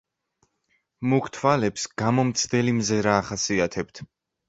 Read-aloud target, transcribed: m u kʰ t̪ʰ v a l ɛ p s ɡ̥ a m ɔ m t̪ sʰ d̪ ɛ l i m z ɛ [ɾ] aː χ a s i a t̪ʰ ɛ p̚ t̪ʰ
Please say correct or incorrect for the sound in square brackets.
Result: correct